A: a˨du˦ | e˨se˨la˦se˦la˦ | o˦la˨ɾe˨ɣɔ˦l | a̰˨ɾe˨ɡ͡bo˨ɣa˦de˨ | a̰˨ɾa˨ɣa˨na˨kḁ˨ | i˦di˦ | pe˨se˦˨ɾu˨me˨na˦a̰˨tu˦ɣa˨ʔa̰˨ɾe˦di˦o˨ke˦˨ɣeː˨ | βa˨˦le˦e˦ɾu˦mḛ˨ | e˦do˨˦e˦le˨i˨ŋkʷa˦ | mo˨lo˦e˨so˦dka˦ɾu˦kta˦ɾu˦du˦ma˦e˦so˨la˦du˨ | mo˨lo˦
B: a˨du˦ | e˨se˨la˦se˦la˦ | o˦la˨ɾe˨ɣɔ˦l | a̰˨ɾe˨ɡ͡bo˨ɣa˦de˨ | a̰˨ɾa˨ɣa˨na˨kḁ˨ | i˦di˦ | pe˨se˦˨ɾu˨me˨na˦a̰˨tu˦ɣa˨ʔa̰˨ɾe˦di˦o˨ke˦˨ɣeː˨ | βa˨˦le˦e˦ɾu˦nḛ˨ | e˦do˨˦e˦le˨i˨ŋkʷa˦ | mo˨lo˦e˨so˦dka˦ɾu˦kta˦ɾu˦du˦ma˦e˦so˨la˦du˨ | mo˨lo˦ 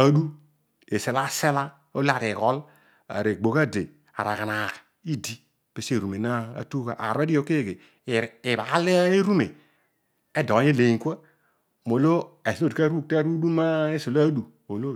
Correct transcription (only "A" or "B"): A